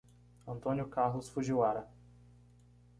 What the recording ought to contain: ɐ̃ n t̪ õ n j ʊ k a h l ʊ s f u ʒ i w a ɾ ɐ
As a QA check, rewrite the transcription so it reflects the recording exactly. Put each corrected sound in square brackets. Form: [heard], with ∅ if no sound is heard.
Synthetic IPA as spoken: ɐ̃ n t̪ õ n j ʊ k a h l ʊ s f u ʒ i w a ɾ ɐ